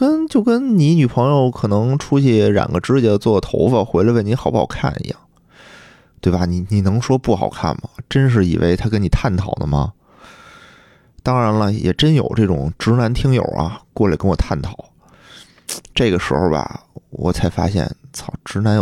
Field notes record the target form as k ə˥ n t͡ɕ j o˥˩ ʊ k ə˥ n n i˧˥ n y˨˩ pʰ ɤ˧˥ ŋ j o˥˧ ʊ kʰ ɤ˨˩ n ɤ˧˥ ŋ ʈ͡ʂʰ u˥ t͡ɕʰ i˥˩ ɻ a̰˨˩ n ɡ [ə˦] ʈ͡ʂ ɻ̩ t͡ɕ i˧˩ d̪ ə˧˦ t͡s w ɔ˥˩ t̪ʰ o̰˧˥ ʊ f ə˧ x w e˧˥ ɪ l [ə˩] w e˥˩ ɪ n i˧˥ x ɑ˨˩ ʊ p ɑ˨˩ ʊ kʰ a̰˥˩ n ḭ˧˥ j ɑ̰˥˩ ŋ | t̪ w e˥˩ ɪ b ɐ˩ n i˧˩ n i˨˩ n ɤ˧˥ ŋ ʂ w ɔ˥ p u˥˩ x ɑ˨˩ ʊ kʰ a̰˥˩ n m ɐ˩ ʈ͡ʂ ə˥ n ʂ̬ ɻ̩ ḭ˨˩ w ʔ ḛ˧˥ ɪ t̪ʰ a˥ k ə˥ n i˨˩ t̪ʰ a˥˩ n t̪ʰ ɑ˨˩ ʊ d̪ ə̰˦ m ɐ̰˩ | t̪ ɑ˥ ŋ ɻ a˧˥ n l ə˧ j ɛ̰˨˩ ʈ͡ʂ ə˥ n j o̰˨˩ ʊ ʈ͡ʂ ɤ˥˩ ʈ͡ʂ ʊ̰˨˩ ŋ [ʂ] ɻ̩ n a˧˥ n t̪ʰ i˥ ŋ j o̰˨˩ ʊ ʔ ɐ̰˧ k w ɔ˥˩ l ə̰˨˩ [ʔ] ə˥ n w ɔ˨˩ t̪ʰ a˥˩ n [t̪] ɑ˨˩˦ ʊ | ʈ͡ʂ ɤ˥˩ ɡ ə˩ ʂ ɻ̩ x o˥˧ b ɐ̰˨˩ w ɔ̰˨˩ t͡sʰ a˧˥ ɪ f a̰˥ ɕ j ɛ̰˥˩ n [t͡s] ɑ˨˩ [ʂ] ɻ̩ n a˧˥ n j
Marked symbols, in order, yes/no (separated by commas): yes, no, no, no, no, no, no